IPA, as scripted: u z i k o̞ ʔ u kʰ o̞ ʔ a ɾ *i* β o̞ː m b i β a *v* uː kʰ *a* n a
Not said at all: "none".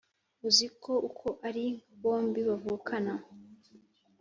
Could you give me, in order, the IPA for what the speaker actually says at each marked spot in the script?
i, v, a

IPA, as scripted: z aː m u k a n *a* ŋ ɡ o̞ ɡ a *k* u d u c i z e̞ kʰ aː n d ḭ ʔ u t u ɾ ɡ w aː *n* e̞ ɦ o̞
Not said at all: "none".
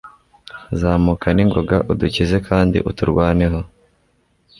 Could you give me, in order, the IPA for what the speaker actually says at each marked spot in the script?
i, ʔ, n

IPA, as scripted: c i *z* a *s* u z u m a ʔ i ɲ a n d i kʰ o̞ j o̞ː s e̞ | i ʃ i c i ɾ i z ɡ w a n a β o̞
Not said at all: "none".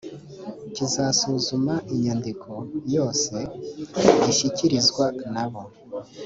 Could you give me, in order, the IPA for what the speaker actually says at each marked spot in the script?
z, s

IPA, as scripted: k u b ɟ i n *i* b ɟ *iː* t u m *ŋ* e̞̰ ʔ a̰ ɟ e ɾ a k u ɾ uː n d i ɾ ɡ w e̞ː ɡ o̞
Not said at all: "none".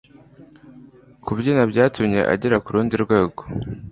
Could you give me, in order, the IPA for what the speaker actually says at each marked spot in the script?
a, aː, ɲ

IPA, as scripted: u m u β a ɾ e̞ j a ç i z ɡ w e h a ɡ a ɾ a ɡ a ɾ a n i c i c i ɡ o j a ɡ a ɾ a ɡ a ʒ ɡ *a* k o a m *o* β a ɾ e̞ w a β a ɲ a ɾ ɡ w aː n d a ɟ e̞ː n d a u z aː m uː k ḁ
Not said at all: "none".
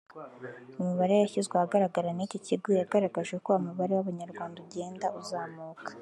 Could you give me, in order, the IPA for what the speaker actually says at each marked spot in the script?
e, u

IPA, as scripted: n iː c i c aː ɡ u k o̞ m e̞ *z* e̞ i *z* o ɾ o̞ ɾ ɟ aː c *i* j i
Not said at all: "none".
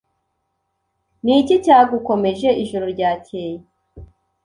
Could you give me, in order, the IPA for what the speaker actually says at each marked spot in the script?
ʒ, ʒ, e

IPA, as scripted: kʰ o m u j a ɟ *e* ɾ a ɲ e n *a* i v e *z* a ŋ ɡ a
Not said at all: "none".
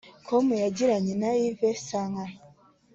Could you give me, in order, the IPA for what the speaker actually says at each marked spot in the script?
i, a, s

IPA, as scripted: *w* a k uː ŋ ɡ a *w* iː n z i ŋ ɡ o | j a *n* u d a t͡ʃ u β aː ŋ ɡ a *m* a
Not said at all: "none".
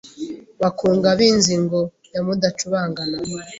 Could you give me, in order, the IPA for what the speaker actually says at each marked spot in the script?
β, β, m, n

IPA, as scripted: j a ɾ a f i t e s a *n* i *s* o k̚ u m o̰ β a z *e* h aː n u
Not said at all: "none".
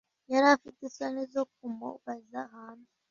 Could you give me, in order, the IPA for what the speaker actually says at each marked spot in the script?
n, z, a

